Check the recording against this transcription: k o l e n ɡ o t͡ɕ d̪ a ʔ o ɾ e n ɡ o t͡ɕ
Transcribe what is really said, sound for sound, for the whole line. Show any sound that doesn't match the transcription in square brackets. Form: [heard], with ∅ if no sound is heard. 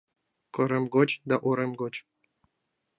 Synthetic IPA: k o [ɾ] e [m] ɡ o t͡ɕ d̪ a ʔ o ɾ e [m] ɡ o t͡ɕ